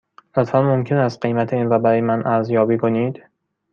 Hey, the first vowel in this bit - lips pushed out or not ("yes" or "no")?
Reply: yes